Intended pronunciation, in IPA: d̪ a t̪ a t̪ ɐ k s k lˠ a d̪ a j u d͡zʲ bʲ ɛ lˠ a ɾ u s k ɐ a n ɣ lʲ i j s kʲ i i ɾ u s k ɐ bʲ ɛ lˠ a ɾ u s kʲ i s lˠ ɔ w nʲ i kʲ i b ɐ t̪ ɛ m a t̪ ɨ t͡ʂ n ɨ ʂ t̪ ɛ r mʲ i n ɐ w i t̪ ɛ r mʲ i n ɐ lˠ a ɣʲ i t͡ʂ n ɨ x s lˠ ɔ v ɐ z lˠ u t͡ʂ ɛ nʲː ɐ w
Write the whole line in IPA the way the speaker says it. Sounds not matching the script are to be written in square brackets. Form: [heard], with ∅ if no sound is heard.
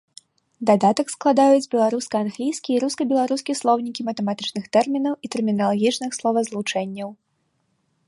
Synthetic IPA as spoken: d̪ a [d̪] a t̪ ɐ k s k lˠ a d̪ a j u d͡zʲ bʲ ɛ lˠ a ɾ u s k ɐ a n ɣ lʲ i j s kʲ i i ɾ u s k ɐ bʲ ɛ lˠ a ɾ u s kʲ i s lˠ ɔ w nʲ i kʲ i [m] ɐ t̪ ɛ m a t̪ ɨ t͡ʂ n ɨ [x] t̪ ɛ r mʲ i n ɐ w i t̪ ɛ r mʲ i n ɐ lˠ a ɣʲ i t͡ʂ n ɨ x s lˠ ɔ v ɐ z lˠ u t͡ʂ ɛ nʲː ɐ w

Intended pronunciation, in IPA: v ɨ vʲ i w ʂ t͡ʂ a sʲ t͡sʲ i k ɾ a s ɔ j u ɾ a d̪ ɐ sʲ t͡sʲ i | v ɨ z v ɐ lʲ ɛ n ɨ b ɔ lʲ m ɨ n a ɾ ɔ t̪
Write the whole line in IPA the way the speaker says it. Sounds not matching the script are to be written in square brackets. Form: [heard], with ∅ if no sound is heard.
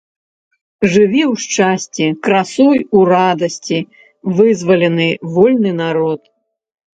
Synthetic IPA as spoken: [ʐ] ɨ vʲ i w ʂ t͡ʂ a sʲ t͡sʲ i k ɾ a s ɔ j u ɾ a d̪ ɐ sʲ t͡sʲ i | v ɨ z v ɐ lʲ ɛ n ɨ [v] ɔ lʲ [n] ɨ n a ɾ ɔ t̪

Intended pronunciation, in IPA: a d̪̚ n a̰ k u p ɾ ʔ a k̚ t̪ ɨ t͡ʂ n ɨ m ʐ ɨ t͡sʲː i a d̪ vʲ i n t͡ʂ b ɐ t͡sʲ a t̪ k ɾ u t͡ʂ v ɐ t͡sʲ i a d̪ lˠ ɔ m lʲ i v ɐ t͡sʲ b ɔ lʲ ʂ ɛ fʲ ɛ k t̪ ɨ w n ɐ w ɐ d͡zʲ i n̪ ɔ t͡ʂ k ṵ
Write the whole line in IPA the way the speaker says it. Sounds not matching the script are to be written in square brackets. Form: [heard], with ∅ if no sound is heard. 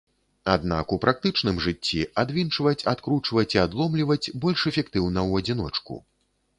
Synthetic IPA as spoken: a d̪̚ n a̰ k u p ɾ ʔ a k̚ t̪ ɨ t͡ʂ n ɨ m ʐ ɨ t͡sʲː i a d̪ vʲ i n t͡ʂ [v] ɐ t͡sʲ a t̪ k ɾ u t͡ʂ v ɐ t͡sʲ i a d̪ lˠ ɔ m lʲ i v ɐ t͡sʲ b ɔ lʲ ʂ ɛ fʲ ɛ k t̪ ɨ w n ɐ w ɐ d͡zʲ i n̪ ɔ t͡ʂ k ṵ

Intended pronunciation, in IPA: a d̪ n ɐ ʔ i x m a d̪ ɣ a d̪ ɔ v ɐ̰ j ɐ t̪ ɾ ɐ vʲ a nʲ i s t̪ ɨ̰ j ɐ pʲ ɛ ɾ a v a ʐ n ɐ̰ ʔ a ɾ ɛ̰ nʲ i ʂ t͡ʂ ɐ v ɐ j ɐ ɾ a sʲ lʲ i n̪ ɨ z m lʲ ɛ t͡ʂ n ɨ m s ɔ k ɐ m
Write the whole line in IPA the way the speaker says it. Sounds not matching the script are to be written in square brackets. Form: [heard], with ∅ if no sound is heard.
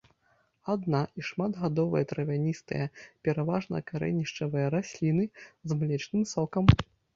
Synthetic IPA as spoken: a d̪ n [a] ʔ i [ʂ] m a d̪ ɣ a d̪ ɔ v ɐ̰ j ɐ t̪ ɾ ɐ vʲ a nʲ i s t̪ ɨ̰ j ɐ pʲ ɛ ɾ a v a ʐ n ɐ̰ [k] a ɾ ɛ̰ nʲ i ʂ t͡ʂ ɐ v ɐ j ɐ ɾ a sʲ lʲ i n̪ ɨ z m lʲ ɛ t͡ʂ n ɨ m s ɔ k ɐ m

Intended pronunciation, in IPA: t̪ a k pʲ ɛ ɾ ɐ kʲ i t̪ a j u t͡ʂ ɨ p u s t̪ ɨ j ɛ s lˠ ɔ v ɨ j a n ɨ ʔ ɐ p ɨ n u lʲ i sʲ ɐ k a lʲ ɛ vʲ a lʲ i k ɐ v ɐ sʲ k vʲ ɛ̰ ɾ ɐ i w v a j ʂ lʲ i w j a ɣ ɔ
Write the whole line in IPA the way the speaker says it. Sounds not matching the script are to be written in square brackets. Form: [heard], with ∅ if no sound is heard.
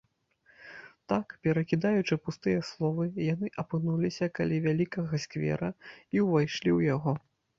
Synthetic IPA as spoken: t̪ a k pʲ ɛ ɾ ɐ kʲ i [d̪] a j u t͡ʂ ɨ p u s t̪ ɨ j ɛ s lˠ ɔ v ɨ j a n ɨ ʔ ɐ p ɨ n u lʲ i sʲ ɐ k a lʲ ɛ vʲ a lʲ i k ɐ [ɣ] ɐ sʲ k vʲ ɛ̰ ɾ ɐ i w v a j ʂ lʲ i w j a ɣ ɔ

